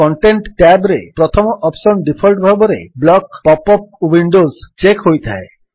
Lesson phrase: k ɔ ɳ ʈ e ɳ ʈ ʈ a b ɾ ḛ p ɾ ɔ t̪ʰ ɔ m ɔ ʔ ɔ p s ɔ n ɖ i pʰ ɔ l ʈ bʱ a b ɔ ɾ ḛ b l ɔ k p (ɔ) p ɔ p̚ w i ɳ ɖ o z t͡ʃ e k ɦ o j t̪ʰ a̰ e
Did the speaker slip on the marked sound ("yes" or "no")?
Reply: no